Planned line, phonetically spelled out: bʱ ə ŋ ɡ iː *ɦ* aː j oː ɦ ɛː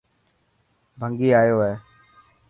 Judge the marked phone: incorrect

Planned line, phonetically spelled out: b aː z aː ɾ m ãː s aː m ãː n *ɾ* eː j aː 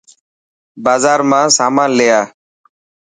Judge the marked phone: incorrect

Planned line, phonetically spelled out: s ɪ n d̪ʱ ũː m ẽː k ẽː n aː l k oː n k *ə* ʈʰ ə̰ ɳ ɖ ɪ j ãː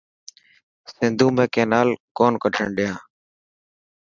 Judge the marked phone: correct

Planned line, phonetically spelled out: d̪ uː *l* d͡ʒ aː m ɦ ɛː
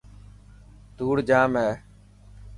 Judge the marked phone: incorrect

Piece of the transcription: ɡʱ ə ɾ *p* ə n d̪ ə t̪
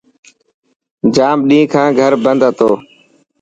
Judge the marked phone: incorrect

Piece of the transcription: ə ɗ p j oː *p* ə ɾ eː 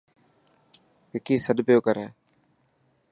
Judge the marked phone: incorrect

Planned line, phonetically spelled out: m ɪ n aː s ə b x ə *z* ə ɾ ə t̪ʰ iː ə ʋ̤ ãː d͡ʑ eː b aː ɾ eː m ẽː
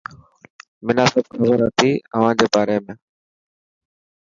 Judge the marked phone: correct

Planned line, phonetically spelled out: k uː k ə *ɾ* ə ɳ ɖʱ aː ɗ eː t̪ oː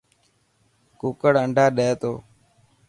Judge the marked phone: incorrect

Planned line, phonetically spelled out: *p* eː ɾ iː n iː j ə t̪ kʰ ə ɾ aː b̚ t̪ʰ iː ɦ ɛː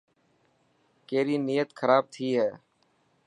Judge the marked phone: incorrect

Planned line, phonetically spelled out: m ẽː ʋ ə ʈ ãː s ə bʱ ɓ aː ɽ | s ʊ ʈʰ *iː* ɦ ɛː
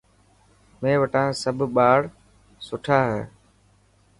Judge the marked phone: incorrect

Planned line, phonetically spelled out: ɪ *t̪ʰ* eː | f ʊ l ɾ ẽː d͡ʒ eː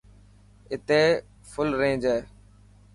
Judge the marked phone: incorrect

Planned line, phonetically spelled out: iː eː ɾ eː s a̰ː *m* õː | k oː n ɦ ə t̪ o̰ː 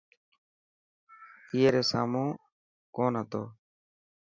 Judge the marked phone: correct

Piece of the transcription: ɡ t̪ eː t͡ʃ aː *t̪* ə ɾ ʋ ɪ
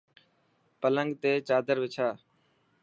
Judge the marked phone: incorrect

